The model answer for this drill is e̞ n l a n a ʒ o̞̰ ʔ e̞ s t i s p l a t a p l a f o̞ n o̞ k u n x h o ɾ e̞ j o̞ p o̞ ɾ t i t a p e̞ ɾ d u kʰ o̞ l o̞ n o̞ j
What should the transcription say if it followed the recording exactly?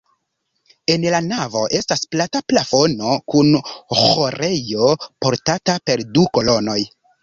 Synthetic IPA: e̞ n l a n a v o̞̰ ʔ e̞ s t a s p l a t a p l a f o̞ n o̞ k u n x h o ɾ e̞ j o̞ p o̞ ɾ t a t a p e̞ ɾ d u k o̞ l o̞ n o̞ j